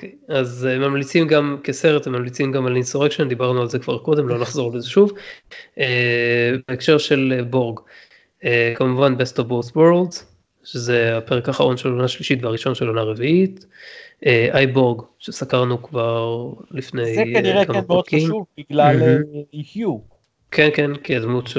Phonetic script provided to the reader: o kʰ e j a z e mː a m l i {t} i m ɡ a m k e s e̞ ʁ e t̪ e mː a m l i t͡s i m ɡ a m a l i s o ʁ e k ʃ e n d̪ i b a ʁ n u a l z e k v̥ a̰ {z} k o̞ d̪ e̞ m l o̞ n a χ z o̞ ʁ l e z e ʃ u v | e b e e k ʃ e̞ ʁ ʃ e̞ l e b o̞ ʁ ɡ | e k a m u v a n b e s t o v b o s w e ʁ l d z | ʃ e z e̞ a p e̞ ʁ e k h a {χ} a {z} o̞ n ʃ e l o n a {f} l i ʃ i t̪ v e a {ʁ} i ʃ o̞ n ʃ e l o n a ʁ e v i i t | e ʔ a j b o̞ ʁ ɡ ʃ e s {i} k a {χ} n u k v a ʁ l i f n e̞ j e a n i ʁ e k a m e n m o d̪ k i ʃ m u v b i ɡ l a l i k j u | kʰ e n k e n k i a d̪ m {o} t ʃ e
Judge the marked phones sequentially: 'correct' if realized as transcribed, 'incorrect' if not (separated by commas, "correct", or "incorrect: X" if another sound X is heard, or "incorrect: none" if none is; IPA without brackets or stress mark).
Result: incorrect: t͡s, incorrect: ʁ, correct, incorrect: ʁ, incorrect: ʃ, correct, incorrect: a, incorrect: ʁ, incorrect: u